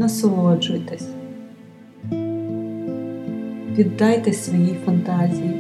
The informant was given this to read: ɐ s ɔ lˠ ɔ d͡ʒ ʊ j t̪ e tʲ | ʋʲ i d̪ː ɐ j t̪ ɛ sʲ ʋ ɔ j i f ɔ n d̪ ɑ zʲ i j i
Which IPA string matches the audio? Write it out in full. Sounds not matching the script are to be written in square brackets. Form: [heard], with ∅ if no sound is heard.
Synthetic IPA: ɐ s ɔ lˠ ɔ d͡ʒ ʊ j t̪ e [sʲ] | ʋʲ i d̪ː [ɑ] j t̪ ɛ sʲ ʋ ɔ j i f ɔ n [t̪] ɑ zʲ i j i